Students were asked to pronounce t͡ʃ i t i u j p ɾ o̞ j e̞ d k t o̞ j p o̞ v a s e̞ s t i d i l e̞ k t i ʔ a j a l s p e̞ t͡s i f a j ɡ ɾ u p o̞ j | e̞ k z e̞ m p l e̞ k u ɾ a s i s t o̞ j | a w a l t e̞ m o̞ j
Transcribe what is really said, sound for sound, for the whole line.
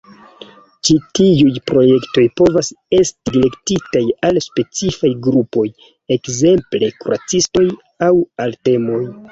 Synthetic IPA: t͡ʃ i t i u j p ɾ o̞ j e̞ k t o̞ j p o̞ v a s e̞ s t i d i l e̞ k t i t a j a l s p e̞ t͡s i f a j ɡ ɾ u p o̞ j | e̞ k z e̞ m p l e̞ k u ɾ a t͡s i s t o̞ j | a w a l t e̞ m o̞ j